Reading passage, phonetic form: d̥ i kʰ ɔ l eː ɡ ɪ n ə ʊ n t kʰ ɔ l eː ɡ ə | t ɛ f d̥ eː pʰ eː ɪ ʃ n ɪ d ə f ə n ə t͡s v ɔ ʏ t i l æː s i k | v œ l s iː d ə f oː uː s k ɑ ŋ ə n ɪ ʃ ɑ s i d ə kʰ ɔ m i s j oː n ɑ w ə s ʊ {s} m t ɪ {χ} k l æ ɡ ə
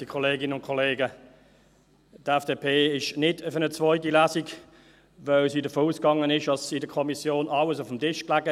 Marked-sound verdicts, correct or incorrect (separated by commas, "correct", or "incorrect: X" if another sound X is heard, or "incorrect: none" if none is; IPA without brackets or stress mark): incorrect: f, incorrect: ʃ